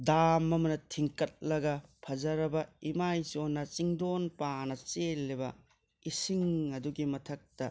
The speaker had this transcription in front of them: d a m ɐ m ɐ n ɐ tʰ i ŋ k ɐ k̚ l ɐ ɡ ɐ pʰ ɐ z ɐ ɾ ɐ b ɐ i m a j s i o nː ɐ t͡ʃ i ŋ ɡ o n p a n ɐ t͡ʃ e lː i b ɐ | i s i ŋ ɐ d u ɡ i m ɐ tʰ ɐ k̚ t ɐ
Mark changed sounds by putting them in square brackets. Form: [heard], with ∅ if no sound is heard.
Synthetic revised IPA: d a m ɐ m ɐ n ɐ tʰ i ŋ k ɐ [t̚] l ɐ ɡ ɐ pʰ ɐ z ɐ ɾ ɐ b ɐ i m a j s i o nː ɐ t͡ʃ i ŋ [d] o n p a n ɐ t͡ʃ e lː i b ɐ | i s i ŋ ɐ d u ɡ i m ɐ tʰ ɐ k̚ t ɐ